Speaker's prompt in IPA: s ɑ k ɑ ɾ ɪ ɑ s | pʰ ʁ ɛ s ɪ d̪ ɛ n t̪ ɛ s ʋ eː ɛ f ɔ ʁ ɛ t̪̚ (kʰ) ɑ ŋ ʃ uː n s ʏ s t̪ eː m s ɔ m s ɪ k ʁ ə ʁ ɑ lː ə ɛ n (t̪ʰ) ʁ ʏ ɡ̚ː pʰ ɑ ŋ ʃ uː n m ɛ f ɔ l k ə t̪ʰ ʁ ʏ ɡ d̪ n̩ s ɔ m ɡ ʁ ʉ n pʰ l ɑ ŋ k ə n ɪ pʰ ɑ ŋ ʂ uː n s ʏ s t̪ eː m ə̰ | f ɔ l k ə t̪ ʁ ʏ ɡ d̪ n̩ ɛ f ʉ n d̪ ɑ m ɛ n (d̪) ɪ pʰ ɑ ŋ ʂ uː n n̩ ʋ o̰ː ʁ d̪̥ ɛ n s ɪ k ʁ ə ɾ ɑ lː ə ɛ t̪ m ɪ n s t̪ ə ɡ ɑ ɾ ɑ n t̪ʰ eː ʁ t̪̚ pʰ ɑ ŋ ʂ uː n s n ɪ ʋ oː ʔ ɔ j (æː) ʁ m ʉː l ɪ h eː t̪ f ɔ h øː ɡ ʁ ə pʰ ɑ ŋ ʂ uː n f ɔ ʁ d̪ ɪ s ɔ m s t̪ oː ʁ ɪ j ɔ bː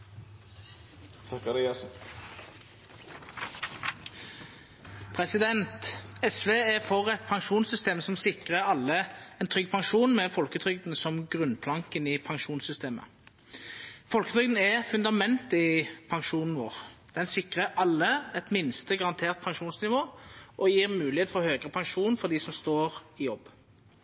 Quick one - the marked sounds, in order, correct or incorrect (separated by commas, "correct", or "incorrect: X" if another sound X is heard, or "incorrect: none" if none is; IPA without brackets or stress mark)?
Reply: incorrect: pʰ, correct, incorrect: t̪, incorrect: iː